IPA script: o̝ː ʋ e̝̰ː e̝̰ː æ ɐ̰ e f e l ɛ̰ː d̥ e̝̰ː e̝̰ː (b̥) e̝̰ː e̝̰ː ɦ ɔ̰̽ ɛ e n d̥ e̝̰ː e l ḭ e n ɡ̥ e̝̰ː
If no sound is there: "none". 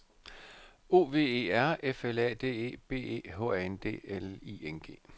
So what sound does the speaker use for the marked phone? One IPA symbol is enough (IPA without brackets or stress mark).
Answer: b̥